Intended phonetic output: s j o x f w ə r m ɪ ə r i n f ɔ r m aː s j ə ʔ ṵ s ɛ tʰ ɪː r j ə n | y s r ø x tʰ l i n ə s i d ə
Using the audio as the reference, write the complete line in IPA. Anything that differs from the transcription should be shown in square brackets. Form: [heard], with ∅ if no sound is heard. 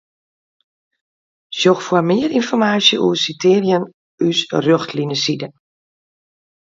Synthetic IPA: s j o x f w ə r m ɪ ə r i n f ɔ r m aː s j ə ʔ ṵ s [i] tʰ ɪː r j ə n | y s r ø x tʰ l i n ə s i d ə